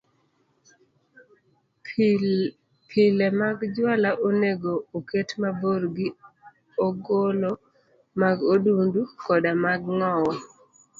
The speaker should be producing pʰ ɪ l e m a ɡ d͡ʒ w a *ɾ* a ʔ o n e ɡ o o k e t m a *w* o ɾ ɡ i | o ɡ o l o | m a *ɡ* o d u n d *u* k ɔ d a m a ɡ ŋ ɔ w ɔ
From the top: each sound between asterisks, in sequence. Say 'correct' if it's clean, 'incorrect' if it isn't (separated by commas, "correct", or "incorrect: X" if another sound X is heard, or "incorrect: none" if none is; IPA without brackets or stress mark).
incorrect: l, incorrect: b, correct, correct